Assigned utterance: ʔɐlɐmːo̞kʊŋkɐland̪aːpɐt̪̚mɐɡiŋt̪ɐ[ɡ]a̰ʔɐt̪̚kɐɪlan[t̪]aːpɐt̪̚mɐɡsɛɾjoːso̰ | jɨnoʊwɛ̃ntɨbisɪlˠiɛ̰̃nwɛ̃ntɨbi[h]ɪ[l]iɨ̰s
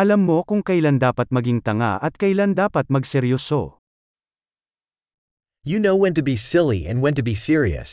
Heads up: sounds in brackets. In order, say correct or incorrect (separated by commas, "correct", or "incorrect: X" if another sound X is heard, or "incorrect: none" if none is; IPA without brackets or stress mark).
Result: incorrect: ŋ, incorrect: d̪, incorrect: s, incorrect: ɹ